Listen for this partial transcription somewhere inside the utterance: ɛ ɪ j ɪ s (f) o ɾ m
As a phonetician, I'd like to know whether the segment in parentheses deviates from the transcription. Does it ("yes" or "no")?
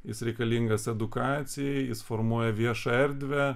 no